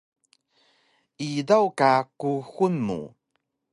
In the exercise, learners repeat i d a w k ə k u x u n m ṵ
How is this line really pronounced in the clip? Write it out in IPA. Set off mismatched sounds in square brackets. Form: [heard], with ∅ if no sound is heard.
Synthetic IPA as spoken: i d a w k [a] k u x u n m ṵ